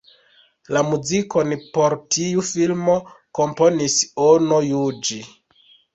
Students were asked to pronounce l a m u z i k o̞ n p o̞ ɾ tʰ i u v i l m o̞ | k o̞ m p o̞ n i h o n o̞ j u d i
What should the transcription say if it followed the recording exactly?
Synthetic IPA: l a m u z i k o̞ n p o̞ ɾ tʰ i u f i l m o̞ | k o̞ m p o̞ n i s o n o̞ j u d͡ʒ i